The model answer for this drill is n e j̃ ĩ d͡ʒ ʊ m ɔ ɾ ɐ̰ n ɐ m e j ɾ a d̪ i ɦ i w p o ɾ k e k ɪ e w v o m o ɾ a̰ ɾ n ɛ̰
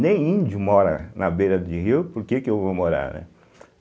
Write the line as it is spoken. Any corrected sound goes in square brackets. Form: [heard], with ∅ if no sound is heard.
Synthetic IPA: n [ẽ] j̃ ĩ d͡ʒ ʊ m ɔ ɾ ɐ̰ n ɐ [b] e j ɾ [ɐ] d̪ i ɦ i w p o ɾ k e k ɪ e w v o m o ɾ a̰ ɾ n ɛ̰